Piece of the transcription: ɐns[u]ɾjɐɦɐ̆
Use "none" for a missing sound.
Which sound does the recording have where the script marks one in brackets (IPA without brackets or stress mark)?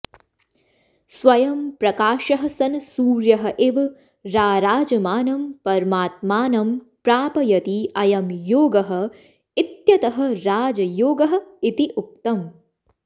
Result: uː